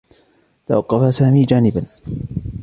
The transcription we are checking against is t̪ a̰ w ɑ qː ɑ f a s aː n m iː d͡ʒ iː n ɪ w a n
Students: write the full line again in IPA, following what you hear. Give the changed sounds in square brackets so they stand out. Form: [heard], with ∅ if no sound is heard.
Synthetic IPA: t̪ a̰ w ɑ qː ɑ f a s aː [∅] m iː d͡ʒ [aː] n ɪ [b] a n